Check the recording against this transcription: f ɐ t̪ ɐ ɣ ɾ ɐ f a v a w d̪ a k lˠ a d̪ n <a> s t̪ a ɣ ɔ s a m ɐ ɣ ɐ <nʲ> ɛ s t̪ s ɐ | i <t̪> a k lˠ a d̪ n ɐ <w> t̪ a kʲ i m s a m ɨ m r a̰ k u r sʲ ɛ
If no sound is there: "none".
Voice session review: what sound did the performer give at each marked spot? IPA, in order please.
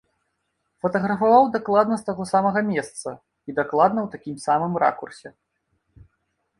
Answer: ɐ, mʲ, d̪, w

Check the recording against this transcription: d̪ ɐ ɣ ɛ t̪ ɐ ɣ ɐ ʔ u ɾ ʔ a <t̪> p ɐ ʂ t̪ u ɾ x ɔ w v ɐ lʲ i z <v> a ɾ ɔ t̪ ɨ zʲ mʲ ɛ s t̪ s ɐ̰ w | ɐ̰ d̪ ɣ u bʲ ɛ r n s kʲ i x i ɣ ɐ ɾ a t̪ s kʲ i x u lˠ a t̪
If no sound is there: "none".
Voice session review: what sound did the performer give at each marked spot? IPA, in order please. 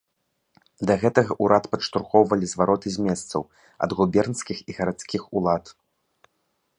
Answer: t̪, v

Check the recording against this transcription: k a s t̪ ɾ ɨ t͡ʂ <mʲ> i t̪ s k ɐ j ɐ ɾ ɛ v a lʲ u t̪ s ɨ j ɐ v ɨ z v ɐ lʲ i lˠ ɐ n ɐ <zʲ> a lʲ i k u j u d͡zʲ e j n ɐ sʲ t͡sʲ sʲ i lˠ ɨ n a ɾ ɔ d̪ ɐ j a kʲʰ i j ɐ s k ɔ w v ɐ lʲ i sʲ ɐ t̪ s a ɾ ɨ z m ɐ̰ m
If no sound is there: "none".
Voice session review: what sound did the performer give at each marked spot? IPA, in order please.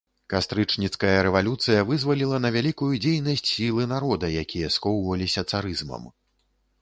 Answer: nʲ, vʲ

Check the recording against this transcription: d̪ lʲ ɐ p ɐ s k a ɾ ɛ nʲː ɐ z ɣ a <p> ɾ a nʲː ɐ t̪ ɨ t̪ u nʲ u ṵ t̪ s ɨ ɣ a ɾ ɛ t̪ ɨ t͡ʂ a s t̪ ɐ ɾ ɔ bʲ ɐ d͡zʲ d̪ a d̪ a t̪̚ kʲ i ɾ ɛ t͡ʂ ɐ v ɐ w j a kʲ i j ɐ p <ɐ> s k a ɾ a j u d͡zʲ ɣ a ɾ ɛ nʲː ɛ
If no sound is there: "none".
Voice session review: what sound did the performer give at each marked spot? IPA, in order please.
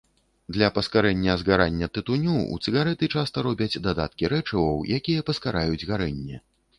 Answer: none, ɐ

